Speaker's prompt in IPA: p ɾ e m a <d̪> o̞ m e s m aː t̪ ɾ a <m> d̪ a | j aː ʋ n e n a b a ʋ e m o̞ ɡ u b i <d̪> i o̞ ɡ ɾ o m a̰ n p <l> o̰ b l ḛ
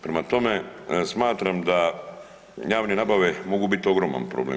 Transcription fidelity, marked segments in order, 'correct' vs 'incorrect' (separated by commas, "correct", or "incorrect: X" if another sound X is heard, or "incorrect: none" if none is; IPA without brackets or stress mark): incorrect: t̪, correct, incorrect: t̪, incorrect: ɾ